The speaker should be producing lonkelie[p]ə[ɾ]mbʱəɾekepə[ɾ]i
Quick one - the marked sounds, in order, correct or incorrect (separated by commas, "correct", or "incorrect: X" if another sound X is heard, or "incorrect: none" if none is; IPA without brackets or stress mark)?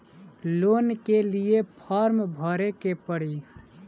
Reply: incorrect: pʰ, correct, incorrect: ɽ